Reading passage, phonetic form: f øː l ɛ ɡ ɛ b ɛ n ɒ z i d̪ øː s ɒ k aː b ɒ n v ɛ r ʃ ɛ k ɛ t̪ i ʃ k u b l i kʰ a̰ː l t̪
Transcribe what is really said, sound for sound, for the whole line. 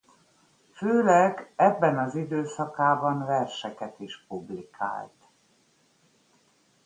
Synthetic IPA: f øː l ɛ ɡ ɛ bː ɛ n ɒ z i d̪ øː s ɒ k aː b ɒ n v ɛ r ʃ ɛ k ɛ t̪ i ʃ p u b l i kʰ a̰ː l t̪